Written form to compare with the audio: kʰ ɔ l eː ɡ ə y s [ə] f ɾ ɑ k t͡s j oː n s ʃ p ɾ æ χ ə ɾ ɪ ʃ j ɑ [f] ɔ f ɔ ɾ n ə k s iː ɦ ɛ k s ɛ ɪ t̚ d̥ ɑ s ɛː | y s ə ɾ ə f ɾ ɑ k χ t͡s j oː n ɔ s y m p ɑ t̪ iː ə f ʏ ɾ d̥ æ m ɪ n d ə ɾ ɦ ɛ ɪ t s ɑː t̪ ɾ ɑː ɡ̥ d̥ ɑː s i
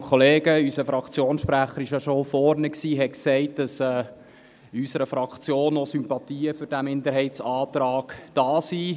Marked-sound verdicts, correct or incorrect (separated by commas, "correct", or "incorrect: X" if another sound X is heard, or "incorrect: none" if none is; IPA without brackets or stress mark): correct, incorrect: ʃ